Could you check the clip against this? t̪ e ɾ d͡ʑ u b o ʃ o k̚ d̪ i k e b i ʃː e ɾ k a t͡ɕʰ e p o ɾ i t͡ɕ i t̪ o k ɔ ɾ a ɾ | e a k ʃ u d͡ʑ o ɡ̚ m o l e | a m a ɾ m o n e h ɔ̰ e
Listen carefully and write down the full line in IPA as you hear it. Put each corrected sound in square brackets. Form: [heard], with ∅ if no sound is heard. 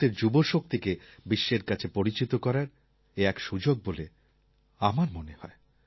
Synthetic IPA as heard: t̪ e ɾ d͡ʑ u b o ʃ o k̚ [t̪] i k e b i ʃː e ɾ k a t͡ɕʰ e p o ɾ i t͡ɕ i t̪ o k ɔ ɾ a ɾ | e [ɛ] k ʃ u d͡ʑ o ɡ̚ [b] o l e | a m a ɾ m o n e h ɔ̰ e

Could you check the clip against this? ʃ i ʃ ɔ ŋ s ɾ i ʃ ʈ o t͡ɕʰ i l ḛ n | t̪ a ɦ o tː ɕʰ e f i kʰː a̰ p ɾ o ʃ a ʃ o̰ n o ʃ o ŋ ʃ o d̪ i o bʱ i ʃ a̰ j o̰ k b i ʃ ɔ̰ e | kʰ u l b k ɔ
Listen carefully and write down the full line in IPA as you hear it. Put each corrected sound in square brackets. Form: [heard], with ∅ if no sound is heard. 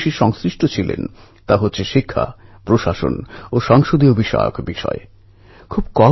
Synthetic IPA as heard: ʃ i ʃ ɔ ŋ s ɾ i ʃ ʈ o t͡ɕʰ i l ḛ n | t̪ a ɦ o tː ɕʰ e [ʃ] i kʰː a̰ p ɾ o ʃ a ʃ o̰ n o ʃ [ɔ] ŋ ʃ o d̪ i o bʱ i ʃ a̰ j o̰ k b i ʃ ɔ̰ e | kʰ u [∅] b k ɔ

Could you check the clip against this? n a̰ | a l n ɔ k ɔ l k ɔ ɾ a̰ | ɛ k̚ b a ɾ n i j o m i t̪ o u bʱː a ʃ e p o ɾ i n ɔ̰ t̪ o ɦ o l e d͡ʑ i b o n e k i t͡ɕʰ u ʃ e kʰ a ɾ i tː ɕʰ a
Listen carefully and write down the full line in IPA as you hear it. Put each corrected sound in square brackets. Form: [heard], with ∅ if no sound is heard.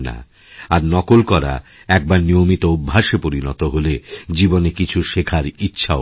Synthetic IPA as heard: n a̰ | a [ɾ] n ɔ k [o] l k ɔ ɾ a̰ | ɛ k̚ b a ɾ n i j o m i t̪ o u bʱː a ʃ e p o ɾ i n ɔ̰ t̪ o ɦ o l e d͡ʑ i b o n e k i t͡ɕʰ u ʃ e kʰ a ɾ i tː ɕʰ a

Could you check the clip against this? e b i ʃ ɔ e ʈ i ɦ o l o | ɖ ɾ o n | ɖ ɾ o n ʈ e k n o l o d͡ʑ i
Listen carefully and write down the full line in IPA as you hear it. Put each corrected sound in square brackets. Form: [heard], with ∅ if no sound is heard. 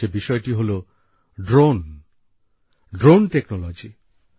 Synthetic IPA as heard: e b i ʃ ɔ e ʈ i ɦ o l o | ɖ ɾ o n | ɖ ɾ o n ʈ e k n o l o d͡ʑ i

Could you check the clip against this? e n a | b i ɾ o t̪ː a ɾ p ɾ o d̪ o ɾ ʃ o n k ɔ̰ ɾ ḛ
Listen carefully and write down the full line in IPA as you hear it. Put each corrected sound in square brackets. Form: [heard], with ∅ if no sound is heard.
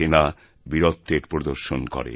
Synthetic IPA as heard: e n a | b i ɾ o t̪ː [e] ɾ p ɾ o d̪ o ɾ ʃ o n k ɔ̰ ɾ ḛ

